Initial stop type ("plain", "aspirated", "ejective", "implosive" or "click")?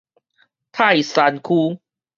aspirated